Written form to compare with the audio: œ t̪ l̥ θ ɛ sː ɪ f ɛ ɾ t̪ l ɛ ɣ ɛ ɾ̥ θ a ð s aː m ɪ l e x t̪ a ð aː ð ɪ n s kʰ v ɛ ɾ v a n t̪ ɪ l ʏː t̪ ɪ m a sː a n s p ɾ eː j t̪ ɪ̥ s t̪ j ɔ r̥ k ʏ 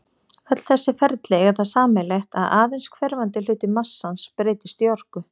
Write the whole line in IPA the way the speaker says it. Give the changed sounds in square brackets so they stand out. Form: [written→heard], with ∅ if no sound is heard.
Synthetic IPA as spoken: œ t̪ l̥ θ ɛ sː ɪ f ɛ ɾ t̪ l ɛ ɣ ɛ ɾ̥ θ a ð s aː m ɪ l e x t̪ a ð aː ð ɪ n s kʰ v ɛ ɾ v a n t̪ ɪ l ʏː t̪ ɪ m a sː a n s p ɾ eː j t̪ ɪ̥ s t̪ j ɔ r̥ k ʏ